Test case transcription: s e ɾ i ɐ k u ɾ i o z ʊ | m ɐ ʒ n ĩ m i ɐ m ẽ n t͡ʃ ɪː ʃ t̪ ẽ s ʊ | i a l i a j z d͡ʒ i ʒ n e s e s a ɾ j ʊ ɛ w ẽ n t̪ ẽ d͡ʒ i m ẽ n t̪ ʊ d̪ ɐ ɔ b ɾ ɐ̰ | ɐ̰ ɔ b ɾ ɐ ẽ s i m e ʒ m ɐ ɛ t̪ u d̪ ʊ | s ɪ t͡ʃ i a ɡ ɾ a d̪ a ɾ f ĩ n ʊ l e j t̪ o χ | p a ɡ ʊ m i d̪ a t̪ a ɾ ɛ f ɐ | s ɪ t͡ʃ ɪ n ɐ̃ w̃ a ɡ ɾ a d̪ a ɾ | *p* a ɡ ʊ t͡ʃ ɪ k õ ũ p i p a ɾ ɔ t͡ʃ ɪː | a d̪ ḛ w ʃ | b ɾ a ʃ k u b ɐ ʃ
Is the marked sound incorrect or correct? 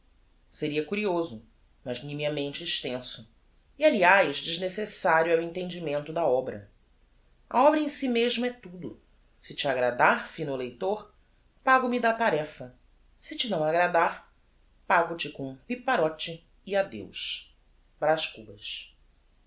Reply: correct